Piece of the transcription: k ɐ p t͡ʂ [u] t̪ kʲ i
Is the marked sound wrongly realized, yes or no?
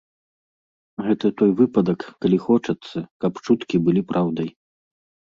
no